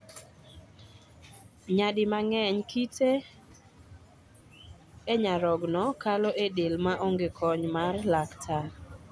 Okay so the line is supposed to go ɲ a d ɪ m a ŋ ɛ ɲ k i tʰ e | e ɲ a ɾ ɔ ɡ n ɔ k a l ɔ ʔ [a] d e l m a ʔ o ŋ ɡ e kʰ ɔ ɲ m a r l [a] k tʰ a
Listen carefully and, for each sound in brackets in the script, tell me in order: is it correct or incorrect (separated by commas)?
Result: incorrect, correct